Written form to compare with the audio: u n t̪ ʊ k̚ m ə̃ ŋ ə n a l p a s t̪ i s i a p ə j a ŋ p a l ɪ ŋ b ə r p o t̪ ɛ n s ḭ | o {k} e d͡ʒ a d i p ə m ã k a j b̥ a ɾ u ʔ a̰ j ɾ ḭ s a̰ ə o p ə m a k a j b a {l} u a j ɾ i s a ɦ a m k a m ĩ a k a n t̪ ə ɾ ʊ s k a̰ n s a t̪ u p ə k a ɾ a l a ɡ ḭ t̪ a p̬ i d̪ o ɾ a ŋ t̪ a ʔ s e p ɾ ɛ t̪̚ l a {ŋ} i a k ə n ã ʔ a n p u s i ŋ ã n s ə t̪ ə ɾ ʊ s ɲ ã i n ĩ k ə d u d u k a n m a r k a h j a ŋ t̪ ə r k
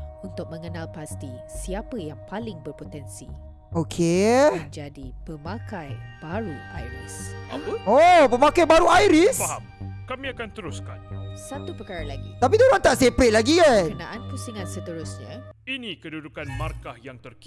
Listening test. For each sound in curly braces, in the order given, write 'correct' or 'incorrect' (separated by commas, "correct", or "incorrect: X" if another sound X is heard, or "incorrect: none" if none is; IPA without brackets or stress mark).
incorrect: kʰ, incorrect: ɾ, incorrect: ɡ